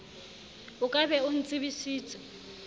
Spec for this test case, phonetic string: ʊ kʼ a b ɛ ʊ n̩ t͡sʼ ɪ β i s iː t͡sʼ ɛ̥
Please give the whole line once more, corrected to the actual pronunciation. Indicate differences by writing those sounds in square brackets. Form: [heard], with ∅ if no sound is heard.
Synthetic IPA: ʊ kʼ a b ɛ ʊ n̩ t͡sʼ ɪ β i s iː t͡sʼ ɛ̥